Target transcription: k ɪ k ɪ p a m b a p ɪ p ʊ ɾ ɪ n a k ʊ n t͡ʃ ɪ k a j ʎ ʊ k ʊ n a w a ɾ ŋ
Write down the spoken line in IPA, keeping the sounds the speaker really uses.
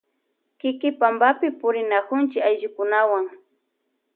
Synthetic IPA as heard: k ɪ k ɪ p a m b a p ɪ p ʊ ɾ ɪ n a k ʊ n t͡ʃ ɪ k a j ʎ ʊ k ʊ n a w a ŋ